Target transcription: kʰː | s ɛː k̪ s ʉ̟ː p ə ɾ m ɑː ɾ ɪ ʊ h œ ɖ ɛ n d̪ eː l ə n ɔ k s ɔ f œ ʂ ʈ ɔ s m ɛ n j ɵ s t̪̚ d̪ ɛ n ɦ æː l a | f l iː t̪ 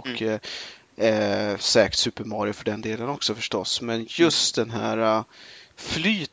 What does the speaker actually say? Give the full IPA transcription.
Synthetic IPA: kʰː | s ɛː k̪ s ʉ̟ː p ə ɾ m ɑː ɾ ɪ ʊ f œ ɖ ɛ n d̪ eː l ə n ɔ k s ɔ f œ ʂ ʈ ɔ s m ɛ n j ɵ s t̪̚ d̪ ɛ n ɦ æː ɾ a | f l yː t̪